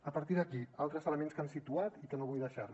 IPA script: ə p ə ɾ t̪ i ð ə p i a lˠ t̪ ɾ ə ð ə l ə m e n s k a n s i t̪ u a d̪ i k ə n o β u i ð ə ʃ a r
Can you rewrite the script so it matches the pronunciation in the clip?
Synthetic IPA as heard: ə p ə ɾ t̪ i ð ə k i a lˠ t̪ ɾ ə z ə l ə m e n s k a n s i t̪ u a t̪ i k ə n o β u j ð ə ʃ a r